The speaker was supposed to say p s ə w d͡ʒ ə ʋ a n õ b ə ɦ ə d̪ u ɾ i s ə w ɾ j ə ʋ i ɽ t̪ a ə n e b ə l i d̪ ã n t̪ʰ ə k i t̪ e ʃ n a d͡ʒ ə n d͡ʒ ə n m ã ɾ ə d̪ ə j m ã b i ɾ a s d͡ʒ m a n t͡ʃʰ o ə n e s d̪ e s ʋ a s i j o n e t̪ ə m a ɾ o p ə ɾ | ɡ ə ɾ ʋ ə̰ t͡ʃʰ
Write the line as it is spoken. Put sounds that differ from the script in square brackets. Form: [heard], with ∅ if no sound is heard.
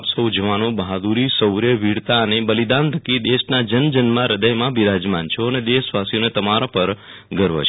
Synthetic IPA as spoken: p s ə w d͡ʒ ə ʋ a n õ b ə ɦ [a] d̪ u ɾ i s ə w ɾ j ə ʋ i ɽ t̪ a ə n e b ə l i d̪ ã n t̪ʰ ə k i [d̪] e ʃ n a d͡ʒ ə n d͡ʒ ə n m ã ɾ ə d̪ ə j m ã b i ɾ a [∅] d͡ʒ m a n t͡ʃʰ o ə n e [∅] d̪ e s ʋ a s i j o n e t̪ ə m a ɾ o p ə ɾ | ɡ ə ɾ ʋ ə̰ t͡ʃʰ